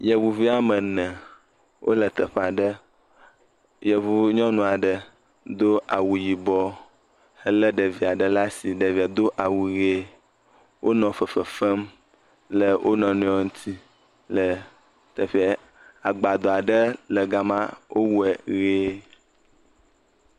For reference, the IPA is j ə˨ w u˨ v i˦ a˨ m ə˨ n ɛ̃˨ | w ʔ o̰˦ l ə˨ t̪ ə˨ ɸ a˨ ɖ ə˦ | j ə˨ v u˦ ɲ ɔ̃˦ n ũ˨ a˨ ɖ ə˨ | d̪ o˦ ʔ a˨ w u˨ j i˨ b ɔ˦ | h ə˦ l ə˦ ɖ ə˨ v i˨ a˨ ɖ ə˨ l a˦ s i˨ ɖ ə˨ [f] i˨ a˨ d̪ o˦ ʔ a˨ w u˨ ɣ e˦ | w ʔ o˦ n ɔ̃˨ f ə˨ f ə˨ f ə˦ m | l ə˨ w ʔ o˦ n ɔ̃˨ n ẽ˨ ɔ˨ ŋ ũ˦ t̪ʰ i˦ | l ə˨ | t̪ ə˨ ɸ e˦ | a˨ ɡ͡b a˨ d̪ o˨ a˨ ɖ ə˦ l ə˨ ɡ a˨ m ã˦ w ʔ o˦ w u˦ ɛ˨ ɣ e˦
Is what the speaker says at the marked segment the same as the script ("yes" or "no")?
no